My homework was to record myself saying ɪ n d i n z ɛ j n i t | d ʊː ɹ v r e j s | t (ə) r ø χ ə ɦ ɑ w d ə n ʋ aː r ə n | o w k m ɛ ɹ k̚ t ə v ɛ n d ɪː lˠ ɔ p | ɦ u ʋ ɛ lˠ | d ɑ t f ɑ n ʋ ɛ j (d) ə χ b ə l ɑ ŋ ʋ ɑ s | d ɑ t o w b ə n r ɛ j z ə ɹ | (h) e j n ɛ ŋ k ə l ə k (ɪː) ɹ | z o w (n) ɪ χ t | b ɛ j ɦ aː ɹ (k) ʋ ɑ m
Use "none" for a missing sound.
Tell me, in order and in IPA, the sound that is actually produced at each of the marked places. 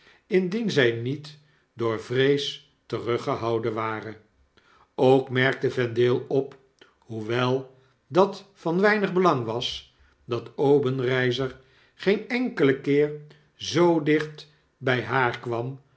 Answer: ə, n, χ, ɪː, d, k

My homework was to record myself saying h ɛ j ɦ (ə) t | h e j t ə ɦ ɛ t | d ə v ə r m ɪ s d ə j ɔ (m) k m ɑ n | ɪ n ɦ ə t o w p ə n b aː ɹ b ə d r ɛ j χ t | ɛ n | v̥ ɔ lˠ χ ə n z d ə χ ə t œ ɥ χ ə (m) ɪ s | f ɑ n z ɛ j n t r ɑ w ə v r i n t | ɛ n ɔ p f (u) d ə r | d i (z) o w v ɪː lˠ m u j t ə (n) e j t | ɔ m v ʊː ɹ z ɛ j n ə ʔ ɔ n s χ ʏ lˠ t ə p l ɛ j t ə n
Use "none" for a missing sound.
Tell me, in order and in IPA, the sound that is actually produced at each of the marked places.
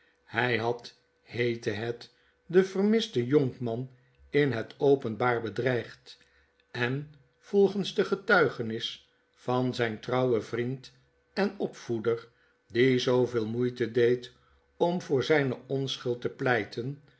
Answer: ɑ, ŋ, n, u, z, d

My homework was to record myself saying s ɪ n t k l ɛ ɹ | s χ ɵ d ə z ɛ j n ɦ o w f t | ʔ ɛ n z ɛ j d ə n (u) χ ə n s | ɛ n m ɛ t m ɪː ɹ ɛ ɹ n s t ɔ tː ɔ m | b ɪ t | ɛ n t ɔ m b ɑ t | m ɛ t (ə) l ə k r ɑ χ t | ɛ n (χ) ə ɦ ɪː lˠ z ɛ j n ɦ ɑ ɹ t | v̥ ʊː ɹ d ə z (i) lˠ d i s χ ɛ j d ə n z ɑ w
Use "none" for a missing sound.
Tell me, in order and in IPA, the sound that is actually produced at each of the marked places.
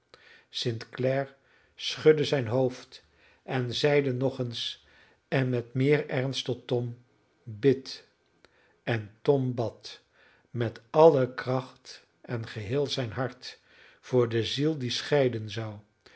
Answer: ɔ, ɑ, χ, i

